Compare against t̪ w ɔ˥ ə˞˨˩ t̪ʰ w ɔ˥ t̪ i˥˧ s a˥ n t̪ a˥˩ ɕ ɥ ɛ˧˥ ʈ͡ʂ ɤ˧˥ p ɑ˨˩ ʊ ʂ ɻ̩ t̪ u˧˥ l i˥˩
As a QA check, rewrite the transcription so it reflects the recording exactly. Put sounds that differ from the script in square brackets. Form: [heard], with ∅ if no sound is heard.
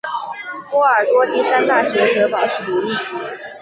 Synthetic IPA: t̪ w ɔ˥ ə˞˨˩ [t̪] w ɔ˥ t̪ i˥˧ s a˥ n t̪ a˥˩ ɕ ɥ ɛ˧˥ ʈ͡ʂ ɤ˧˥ p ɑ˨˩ ʊ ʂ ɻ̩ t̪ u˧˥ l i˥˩